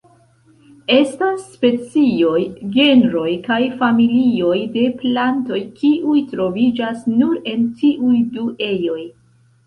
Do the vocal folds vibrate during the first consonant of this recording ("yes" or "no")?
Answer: no